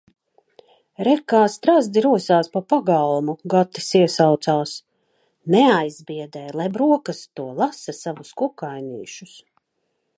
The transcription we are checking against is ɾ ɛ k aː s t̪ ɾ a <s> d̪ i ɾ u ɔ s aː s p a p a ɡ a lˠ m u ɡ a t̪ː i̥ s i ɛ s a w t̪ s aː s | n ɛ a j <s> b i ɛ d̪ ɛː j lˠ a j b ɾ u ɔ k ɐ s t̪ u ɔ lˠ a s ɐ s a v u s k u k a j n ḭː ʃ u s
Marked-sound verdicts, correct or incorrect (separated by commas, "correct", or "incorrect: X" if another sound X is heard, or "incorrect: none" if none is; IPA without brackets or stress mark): incorrect: z, incorrect: z